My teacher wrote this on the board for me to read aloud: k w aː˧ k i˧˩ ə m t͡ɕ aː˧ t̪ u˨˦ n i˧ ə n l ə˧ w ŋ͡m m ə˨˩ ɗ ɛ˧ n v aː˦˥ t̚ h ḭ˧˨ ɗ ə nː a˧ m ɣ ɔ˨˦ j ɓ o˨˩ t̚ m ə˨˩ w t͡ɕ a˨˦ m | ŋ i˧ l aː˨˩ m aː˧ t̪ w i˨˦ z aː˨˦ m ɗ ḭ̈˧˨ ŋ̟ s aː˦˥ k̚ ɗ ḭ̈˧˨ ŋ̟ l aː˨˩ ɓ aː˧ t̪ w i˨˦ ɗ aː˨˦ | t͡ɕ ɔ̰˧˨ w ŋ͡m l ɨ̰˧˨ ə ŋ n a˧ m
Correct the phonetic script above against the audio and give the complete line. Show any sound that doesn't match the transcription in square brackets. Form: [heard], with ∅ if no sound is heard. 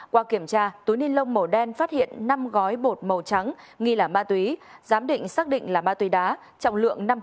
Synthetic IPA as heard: k w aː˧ k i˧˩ ə m t͡ɕ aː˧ t̪ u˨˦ n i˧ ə n l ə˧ w ŋ͡m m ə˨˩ ɗ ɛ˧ n [f] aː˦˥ t̚ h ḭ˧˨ [∅] ə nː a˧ m ɣ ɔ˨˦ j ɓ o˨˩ t̚ m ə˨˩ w t͡ɕ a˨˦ [ŋ] | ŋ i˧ l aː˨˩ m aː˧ t̪ w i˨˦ z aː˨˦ m ɗ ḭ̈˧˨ ŋ̟ s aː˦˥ k̚ ɗ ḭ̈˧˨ ŋ̟ l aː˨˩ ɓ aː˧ t̪ w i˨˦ ɗ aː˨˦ | t͡ɕ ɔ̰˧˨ w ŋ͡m l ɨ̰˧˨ ə ŋ n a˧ m